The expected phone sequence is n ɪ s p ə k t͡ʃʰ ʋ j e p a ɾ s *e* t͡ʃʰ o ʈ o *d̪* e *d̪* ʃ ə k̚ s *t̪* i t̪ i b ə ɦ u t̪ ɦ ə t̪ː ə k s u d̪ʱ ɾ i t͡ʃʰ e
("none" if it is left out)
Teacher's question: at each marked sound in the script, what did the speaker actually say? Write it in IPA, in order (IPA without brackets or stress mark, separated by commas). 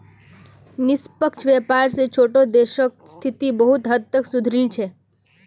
e, d̪, none, t̪ʰ